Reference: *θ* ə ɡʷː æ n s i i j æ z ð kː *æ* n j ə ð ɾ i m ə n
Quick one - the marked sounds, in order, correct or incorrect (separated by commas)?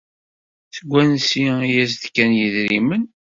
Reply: correct, correct